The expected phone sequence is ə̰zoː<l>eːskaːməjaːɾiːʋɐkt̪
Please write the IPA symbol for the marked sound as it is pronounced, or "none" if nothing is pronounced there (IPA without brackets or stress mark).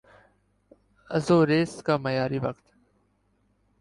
ɾ